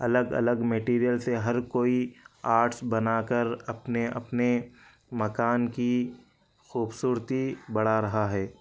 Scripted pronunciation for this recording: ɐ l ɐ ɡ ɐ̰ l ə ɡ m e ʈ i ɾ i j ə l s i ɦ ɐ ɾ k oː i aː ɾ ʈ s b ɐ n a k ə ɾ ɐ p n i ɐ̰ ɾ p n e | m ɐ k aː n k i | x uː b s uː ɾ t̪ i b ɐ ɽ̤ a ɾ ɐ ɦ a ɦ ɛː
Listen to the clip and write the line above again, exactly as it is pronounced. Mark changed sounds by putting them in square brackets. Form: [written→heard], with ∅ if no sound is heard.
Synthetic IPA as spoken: ɐ l [ɐ→ə] ɡ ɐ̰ l ə ɡ m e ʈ [i→iː] ɾ i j ə l s [i→e] ɦ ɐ ɾ k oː i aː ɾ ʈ s b ɐ n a k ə ɾ ɐ p n [i→e] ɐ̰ [ɾ→∅] p n e | m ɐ k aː n k i | x uː b s uː ɾ t̪ i b ɐ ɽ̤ a ɾ ɐ ɦ a ɦ ɛː